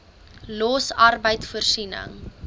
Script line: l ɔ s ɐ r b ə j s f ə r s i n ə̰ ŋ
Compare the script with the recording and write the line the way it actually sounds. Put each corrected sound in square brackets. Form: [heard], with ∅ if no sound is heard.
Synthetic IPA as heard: l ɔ s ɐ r b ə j [t] f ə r s i n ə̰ ŋ